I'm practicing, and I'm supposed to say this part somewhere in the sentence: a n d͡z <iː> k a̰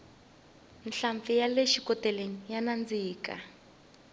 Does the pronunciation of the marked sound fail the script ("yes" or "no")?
no